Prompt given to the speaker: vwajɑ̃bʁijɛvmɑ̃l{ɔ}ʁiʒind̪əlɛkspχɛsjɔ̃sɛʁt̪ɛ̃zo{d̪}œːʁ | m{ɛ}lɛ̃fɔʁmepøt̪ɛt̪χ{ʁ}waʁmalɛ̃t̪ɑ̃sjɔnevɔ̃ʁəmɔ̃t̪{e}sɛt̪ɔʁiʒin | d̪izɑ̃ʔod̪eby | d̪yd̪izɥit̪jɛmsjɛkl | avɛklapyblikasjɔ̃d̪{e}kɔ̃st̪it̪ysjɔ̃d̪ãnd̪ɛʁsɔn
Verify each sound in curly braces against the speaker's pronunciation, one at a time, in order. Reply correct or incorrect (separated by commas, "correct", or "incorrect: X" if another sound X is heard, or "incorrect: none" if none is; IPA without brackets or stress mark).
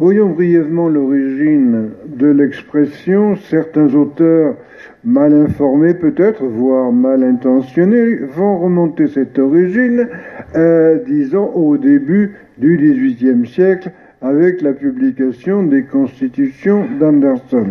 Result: correct, incorrect: t̪, incorrect: a, incorrect: v, correct, correct